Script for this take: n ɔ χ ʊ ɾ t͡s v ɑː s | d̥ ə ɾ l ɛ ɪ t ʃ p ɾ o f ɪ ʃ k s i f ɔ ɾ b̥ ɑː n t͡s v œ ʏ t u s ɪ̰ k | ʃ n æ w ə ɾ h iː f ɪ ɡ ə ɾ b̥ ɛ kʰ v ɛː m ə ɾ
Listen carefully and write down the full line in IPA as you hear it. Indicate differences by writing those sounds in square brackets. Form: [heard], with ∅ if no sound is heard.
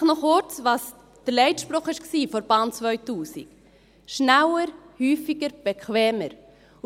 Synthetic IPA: n ɔ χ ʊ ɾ t͡s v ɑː s | d̥ ə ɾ l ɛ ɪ t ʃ p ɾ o [χ] ɪ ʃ k s [iː] f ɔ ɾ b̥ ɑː n t͡s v œ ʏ t [uː] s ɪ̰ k | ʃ n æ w ə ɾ h [yː] f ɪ ɡ ə ɾ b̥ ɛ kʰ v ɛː m ə ɾ